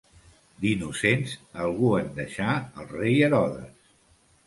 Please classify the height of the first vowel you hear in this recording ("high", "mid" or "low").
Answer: high